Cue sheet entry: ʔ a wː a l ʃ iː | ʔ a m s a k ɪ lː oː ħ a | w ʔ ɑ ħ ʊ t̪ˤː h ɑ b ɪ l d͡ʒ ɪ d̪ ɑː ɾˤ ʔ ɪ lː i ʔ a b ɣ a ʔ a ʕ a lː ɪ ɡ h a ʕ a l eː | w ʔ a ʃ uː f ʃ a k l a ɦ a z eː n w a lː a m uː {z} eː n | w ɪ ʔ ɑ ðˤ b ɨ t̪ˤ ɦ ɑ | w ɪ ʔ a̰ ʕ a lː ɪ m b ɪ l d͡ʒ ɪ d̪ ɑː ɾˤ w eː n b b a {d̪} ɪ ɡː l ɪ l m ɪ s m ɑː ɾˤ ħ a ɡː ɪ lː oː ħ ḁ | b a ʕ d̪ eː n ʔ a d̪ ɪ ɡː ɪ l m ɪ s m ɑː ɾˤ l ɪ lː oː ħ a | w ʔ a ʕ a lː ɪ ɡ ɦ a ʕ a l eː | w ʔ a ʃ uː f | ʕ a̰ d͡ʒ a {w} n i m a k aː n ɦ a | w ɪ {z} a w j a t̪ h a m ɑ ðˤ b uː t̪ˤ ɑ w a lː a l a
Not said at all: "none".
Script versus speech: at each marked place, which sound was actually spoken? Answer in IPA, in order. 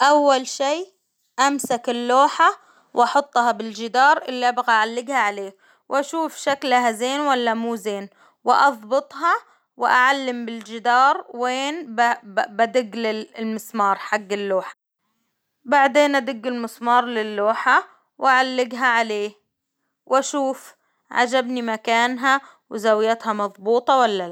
z, d̪, b, z

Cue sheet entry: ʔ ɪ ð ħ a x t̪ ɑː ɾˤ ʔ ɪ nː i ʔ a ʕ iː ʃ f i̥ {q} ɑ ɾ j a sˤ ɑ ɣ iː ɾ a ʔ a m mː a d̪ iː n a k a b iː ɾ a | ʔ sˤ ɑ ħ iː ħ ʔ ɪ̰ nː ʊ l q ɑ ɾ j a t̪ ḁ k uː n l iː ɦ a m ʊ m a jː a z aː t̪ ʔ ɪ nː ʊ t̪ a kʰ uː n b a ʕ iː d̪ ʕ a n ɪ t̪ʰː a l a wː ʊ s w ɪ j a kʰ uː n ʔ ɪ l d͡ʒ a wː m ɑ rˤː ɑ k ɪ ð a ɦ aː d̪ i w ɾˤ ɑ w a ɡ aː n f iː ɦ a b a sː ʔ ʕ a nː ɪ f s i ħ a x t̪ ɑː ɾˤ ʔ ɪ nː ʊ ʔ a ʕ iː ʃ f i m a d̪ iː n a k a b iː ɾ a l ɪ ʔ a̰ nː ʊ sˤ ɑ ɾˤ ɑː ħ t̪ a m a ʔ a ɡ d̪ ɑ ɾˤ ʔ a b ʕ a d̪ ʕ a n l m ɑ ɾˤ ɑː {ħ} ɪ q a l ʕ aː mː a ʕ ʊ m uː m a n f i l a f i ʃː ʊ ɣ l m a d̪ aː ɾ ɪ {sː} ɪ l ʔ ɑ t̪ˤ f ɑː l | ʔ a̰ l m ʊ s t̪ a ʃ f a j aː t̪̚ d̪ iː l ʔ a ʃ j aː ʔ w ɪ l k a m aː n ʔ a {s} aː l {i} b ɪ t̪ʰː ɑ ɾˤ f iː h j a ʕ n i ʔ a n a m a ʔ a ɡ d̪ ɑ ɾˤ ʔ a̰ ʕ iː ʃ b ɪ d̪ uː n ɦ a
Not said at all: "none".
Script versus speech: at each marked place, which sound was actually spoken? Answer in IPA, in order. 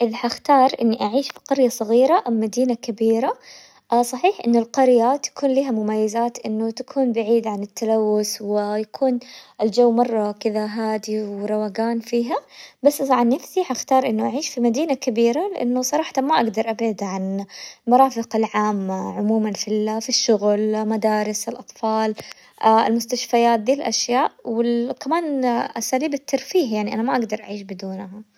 q, f, s, s, iː

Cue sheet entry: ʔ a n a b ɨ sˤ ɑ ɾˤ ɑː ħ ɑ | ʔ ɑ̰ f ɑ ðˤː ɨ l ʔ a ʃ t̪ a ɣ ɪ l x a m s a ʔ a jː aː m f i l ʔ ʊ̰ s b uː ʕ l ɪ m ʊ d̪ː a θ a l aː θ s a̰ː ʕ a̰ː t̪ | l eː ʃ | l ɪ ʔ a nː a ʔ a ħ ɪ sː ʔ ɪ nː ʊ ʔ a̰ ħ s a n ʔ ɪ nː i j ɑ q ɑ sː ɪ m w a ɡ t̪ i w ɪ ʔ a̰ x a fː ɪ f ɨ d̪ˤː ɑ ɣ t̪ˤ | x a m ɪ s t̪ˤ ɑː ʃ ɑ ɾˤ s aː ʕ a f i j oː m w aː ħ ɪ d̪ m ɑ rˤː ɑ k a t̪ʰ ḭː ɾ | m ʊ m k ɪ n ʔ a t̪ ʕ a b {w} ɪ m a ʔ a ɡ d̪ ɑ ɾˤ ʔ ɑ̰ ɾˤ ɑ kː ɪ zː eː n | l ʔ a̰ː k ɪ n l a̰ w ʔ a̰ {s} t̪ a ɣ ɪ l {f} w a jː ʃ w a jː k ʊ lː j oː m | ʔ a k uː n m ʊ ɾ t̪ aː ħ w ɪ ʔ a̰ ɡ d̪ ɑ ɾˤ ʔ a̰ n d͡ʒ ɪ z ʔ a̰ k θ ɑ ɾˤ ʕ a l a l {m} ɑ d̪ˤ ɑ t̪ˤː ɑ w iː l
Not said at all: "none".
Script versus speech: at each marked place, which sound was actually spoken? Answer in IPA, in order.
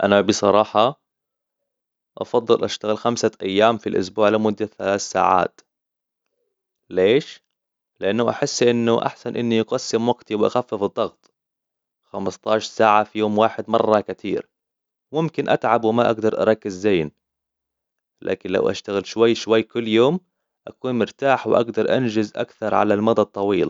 w, ʃ, ʃ, m

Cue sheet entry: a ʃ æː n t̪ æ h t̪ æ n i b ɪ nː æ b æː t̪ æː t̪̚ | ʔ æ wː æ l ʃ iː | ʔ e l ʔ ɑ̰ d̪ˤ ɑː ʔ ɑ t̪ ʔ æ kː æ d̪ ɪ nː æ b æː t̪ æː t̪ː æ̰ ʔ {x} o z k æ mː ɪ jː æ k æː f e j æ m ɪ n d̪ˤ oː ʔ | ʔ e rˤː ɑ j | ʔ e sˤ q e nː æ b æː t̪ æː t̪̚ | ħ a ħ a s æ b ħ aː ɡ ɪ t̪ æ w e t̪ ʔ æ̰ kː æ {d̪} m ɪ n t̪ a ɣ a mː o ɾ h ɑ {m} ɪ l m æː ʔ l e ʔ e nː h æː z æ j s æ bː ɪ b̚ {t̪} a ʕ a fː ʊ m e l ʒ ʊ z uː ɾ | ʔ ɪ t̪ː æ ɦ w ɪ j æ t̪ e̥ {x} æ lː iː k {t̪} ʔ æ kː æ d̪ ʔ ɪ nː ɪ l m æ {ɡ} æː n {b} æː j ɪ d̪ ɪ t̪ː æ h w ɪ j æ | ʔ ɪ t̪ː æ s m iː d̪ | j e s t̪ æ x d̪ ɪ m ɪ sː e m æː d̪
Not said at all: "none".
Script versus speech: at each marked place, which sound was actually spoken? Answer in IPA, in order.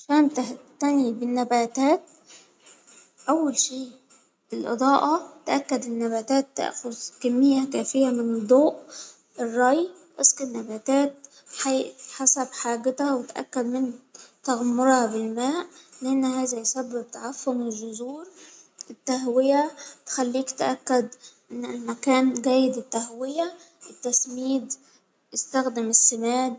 x, d̪, b, t̪, x, t̪, k, ɡ

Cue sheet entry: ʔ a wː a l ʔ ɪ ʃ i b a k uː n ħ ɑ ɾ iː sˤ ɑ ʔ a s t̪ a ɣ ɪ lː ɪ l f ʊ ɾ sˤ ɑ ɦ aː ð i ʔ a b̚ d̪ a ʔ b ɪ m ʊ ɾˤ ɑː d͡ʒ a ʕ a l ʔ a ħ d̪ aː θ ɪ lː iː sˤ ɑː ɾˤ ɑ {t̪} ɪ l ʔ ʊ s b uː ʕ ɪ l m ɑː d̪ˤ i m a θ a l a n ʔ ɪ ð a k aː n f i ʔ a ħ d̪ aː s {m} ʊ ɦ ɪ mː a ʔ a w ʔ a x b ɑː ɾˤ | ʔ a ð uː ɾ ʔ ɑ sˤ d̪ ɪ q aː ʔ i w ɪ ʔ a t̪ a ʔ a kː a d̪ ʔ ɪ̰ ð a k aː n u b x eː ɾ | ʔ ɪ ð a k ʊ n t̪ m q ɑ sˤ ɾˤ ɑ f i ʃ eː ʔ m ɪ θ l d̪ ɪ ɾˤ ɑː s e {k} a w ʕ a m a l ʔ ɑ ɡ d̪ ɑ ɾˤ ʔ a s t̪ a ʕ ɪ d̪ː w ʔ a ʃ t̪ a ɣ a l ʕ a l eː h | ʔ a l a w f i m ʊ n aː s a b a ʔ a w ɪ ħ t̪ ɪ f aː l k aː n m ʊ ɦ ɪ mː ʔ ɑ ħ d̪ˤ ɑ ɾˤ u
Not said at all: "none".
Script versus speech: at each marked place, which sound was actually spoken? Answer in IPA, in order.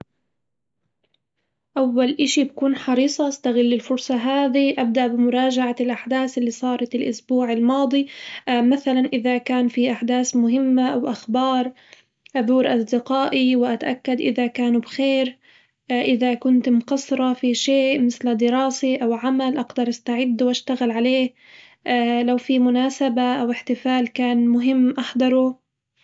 t̪, m, ʔ

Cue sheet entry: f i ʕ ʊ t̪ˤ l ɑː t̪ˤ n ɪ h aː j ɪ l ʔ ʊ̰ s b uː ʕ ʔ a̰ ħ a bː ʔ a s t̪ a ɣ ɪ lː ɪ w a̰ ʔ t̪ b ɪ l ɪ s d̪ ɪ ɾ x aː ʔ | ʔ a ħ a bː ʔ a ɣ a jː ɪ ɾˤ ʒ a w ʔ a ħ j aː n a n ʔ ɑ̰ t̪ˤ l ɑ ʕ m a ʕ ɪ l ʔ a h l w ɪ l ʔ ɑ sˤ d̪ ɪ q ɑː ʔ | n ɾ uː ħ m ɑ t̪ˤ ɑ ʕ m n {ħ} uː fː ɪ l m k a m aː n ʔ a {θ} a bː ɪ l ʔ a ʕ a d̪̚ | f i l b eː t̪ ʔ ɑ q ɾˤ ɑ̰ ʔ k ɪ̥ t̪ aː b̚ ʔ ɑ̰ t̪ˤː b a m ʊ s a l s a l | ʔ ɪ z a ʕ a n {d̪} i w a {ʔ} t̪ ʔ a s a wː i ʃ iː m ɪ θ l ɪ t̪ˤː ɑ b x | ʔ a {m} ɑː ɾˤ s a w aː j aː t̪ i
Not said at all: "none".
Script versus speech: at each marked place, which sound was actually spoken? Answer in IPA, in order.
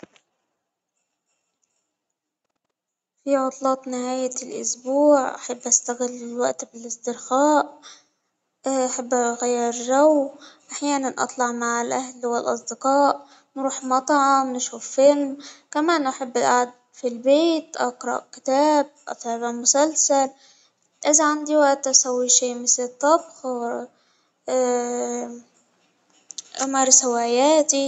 ʃ, ħ, d̪, ʔ, m

